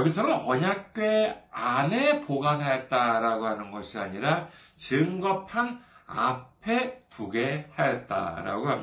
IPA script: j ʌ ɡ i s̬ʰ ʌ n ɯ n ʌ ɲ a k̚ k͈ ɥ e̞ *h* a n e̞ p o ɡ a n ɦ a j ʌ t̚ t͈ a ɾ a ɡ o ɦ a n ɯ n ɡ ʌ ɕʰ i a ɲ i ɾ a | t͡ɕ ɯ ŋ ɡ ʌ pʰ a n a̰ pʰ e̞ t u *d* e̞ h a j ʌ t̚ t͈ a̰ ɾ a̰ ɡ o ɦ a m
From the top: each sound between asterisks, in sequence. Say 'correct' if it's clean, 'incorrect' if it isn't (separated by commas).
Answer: incorrect, incorrect